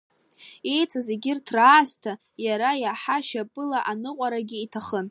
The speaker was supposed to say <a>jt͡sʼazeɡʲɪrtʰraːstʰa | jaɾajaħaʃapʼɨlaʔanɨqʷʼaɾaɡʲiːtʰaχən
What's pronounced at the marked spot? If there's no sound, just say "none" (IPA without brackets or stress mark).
e